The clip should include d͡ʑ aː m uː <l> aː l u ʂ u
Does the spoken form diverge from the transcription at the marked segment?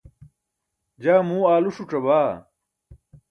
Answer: yes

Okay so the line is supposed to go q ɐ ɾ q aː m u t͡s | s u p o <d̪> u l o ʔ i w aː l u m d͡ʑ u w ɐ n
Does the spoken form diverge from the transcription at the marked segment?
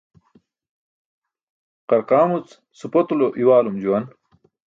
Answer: yes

